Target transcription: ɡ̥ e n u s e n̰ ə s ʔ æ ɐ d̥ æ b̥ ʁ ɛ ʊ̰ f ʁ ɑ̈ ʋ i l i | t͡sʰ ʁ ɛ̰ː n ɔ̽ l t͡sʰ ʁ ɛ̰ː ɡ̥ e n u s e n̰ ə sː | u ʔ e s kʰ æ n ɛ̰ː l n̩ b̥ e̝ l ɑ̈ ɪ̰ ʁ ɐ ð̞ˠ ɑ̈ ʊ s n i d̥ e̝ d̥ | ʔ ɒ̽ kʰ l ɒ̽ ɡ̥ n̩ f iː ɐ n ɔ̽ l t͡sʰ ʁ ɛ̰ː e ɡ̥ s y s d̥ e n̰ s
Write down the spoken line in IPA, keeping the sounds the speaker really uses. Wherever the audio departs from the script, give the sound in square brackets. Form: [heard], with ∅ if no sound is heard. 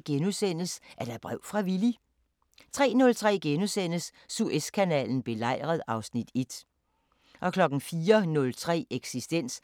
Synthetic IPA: ɡ̥ e n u s e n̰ ə s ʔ æ ɐ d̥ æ b̥ ʁ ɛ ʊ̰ f ʁ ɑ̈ ʋ i l i | t͡sʰ ʁ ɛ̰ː n ɔ̽ l t͡sʰ ʁ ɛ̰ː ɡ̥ e n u s e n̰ ə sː | u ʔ e s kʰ æ n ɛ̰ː l n̩ b̥ e̝ l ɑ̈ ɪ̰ ʁ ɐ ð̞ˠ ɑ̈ ʊ s n i d̥ e̝ d̥ | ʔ ɒ̽ kʰ l ɒ̽ ɡ̥ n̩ f iː ɐ n ɔ̽ l t͡sʰ ʁ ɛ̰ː e ɡ̥ s [i] s d̥ e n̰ s